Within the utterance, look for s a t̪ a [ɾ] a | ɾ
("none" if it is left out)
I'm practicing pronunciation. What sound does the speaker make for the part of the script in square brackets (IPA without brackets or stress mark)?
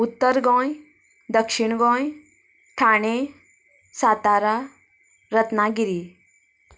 ɾ